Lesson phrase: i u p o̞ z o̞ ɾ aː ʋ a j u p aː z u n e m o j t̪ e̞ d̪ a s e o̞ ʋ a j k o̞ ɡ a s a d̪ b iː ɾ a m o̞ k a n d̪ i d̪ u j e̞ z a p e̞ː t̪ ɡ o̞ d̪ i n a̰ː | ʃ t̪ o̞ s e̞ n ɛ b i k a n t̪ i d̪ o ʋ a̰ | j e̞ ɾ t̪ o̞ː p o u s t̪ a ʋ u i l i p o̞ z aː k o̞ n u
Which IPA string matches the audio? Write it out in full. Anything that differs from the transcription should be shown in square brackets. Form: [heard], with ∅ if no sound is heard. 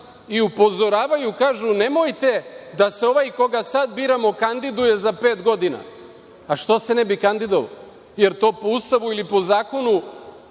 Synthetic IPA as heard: i u p o̞ z o̞ ɾ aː ʋ a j u [k] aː [ʒ] u n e m o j t̪ e̞ d̪ a s e o̞ ʋ a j k o̞ ɡ a s a d̪ b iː ɾ a m o̞ k a n d̪ i d̪ u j e̞ z a p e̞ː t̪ ɡ o̞ d̪ i n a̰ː | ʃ t̪ o̞ s e̞ n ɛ b i k a n [d̪] i d̪ o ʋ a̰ | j e̞ ɾ t̪ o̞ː p o u s t̪ a ʋ u i l i p o̞ z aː k o̞ n u